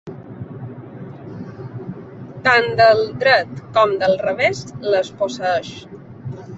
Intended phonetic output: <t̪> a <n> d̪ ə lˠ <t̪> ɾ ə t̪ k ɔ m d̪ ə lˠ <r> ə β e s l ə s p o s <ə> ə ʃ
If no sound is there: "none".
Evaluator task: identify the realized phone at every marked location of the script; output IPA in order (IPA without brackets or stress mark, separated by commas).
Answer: t̪, n, d̪, r, ə